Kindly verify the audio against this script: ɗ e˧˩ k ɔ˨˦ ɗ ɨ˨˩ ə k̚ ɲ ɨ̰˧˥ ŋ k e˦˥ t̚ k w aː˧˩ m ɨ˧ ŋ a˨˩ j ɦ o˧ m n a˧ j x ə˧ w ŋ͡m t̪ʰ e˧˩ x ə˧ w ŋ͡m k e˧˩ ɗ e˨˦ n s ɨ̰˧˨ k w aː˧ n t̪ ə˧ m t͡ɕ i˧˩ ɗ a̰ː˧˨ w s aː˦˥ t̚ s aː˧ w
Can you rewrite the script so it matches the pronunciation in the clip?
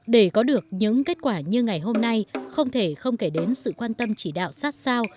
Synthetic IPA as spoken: ɗ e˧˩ k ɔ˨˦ ɗ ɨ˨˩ ə k̚ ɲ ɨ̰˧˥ ŋ k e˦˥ t̚ k w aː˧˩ ɲ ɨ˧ ŋ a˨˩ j ɦ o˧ m n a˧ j x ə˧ w ŋ͡m t̪ʰ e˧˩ x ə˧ w ŋ͡m k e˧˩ ɗ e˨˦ n s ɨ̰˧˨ k w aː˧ n t̪ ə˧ m t͡ɕ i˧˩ ɗ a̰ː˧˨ w s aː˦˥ t̚ s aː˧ w